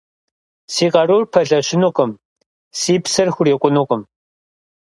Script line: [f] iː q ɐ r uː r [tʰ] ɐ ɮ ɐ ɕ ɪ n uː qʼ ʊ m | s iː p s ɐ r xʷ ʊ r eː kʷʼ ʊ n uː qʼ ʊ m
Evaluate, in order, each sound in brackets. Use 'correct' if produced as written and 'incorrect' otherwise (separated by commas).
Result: incorrect, incorrect